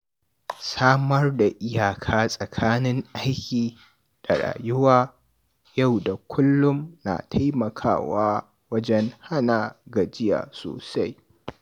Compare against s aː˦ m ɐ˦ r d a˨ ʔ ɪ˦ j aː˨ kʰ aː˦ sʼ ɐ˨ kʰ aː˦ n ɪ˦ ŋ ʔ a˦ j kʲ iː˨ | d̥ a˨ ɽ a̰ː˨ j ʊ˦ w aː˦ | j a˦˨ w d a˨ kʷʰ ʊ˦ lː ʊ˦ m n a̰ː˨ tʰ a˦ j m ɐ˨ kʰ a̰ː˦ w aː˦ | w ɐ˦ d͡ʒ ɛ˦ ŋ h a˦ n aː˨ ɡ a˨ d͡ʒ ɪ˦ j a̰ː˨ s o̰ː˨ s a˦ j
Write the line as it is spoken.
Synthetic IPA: s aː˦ m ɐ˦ r d a˨ ʔ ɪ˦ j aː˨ kʰ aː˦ sʼ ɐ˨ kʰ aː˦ n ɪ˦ ŋ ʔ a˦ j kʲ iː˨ | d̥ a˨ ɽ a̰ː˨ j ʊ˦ w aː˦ | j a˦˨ w d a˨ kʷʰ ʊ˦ lː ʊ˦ m n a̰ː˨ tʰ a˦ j m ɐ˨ kʰ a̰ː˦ w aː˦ | w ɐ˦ d͡ʒ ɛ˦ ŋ h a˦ n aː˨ ɡ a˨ d͡ʒ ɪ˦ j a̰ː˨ s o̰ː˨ s a˦ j

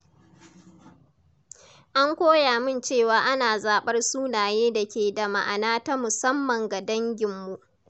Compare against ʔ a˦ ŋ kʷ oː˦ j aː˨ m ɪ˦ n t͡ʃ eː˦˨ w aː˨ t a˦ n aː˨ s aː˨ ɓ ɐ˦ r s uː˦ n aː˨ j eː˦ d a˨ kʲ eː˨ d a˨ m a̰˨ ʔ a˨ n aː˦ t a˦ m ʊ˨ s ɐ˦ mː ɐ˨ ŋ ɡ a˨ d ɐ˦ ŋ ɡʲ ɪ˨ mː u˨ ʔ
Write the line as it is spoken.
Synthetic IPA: ʔ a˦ ŋ kʷ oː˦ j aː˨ m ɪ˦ n t͡ʃ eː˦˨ w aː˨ ʔ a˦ n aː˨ z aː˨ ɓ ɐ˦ r s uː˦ n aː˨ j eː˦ d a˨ kʲ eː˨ d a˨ m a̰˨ ʔ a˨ n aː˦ t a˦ m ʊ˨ s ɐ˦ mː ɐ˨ ŋ ɡ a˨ d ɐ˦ ŋ ɡʲ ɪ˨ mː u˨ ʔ

